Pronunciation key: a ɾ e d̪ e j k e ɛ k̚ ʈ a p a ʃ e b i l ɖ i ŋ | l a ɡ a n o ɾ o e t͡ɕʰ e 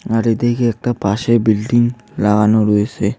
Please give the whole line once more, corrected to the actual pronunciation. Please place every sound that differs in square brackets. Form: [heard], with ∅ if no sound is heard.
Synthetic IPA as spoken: a ɾ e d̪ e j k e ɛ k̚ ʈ a p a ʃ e b i l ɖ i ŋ | l a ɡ a n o ɾ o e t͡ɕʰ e